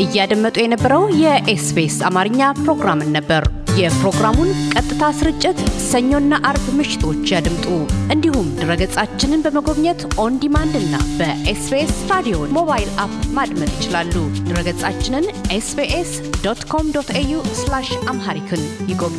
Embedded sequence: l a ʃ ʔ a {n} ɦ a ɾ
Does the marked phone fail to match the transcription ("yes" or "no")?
yes